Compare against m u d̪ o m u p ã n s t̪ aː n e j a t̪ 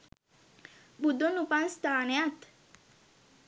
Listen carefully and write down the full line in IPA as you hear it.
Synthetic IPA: b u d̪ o n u p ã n s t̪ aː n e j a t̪